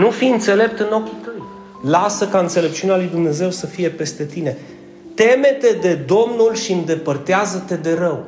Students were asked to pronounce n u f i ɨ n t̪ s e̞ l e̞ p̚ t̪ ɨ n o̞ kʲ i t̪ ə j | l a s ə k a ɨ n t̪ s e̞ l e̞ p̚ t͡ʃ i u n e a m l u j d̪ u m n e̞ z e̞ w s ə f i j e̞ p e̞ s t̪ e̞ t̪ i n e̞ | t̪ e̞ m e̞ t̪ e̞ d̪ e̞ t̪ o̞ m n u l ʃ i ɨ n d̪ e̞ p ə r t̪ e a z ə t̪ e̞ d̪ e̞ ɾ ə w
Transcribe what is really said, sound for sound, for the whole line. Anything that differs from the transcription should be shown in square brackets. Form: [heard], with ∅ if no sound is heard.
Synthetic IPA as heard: n u f i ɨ n t̪ s e̞ l e̞ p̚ t̪ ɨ n o̞ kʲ i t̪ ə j | l a s ə k a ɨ n t̪ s e̞ l e̞ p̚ t͡ʃ i u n e a [∅] l u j d̪ u m n e̞ z e̞ w s ə f i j e̞ p e̞ s t̪ e̞ t̪ i n e̞ | t̪ e̞ m e̞ t̪ e̞ d̪ e̞ [d̪] o̞ m n u l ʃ i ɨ n d̪ e̞ p ə r t̪ e a z ə t̪ e̞ d̪ e̞ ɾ ə w